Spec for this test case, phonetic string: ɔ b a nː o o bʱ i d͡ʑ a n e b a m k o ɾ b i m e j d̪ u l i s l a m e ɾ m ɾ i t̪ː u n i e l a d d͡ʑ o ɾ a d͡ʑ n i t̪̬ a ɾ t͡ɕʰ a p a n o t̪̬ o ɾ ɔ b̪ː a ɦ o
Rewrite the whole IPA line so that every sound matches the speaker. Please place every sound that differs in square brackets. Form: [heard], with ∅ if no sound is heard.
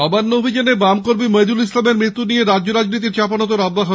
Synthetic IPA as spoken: ɔ b a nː o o bʱ i d͡ʑ a n e b a m k o ɾ b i m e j d̪ u l i s l a m e ɾ m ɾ i t̪ː u n i e [ɾ] a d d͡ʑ o ɾ a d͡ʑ n i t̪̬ [i] ɾ [t͡ɕ] a p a n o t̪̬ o ɾ ɔ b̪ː a ɦ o